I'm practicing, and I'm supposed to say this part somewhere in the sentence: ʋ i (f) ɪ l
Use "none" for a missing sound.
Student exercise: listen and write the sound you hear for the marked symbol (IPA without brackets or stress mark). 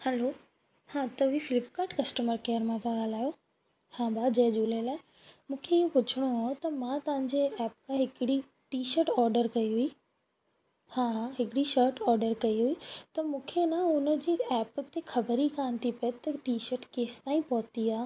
f